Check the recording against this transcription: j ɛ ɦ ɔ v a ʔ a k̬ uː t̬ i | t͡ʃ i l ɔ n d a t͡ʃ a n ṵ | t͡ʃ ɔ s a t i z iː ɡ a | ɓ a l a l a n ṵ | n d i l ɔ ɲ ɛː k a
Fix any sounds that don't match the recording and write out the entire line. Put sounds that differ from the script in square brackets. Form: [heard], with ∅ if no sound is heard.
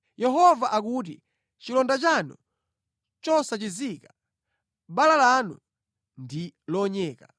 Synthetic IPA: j ɛ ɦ ɔ v a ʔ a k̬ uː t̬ i | t͡ʃ i l ɔ n d a t͡ʃ a n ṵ | t͡ʃ ɔ s a [t͡ʃ] i z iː [k] a | ɓ a l a l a n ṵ | n d i l ɔ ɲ ɛː k a